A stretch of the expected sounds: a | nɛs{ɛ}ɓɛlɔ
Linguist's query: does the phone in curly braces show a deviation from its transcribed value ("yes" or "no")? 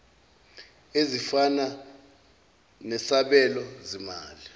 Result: yes